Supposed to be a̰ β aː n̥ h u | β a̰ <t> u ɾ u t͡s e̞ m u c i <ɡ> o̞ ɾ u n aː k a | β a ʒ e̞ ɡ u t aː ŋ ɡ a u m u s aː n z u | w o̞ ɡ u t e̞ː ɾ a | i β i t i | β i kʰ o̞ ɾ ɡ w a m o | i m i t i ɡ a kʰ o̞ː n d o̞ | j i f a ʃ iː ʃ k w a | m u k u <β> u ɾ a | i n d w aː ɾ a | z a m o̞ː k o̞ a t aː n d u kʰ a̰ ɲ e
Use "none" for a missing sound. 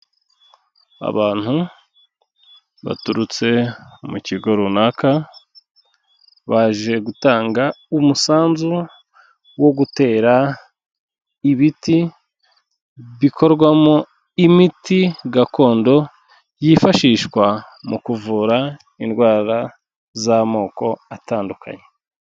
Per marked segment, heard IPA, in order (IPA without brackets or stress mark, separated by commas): t, ɡ, v